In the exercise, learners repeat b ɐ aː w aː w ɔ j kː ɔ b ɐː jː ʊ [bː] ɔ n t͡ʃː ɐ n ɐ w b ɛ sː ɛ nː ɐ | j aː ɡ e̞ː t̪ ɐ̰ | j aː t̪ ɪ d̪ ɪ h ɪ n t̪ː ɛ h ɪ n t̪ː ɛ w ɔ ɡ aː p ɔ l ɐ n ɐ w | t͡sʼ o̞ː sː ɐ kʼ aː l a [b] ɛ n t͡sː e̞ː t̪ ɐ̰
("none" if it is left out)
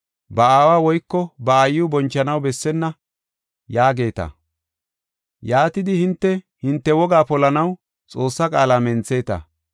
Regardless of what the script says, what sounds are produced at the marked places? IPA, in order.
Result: b, m

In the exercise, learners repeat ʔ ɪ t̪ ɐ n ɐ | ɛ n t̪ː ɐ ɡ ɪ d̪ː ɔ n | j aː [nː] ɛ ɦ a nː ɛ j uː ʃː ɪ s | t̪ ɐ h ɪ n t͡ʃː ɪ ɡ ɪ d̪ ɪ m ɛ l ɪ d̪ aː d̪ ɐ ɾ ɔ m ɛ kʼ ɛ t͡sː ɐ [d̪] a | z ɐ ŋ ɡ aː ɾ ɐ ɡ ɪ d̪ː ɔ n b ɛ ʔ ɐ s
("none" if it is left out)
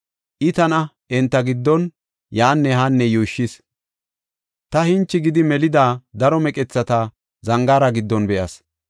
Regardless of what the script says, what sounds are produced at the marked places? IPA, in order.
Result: nː, t̪

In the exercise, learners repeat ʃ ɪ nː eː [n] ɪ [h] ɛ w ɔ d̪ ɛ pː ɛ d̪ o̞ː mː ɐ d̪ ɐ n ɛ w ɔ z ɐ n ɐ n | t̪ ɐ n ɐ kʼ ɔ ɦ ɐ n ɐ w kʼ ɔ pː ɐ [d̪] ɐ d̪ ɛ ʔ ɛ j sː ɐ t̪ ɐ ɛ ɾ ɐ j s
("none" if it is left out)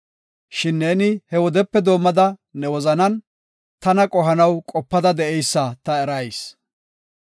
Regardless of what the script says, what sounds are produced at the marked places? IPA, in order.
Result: n, h, d̪

